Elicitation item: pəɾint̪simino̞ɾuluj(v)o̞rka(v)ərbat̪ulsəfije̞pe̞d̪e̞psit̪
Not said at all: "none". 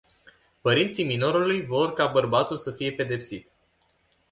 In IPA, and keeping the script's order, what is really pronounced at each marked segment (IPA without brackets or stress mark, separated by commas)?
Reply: v, b